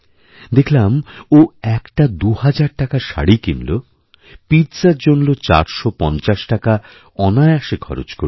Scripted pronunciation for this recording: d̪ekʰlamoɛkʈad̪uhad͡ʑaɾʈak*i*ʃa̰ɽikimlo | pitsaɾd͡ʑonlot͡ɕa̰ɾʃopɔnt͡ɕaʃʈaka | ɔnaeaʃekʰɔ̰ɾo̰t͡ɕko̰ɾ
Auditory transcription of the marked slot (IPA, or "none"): a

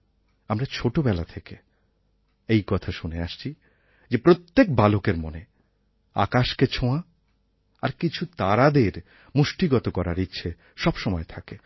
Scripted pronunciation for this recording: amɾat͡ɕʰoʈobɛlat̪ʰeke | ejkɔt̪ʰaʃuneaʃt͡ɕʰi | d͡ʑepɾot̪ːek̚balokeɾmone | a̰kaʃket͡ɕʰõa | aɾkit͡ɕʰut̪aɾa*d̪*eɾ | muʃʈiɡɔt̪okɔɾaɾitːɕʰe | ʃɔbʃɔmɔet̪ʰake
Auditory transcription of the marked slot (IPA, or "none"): d̪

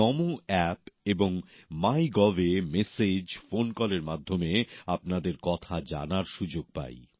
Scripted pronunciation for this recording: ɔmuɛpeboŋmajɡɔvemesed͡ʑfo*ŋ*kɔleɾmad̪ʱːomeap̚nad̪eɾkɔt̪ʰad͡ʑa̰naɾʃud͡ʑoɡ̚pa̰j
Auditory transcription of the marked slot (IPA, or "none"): n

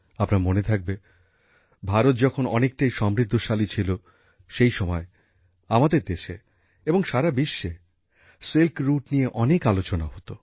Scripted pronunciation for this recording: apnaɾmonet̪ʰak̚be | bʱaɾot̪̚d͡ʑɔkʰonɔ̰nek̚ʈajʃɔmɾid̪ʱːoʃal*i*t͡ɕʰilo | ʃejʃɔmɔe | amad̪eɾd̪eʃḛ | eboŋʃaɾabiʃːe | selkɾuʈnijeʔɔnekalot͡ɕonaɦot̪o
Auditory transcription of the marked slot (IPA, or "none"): i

